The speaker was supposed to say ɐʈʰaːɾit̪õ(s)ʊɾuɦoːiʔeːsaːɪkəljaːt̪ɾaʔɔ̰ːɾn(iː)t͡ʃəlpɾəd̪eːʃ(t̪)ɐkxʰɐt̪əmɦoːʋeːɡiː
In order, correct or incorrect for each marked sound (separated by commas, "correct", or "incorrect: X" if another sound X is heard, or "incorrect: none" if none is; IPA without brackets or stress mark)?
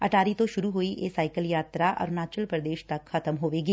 incorrect: ʃ, incorrect: aː, correct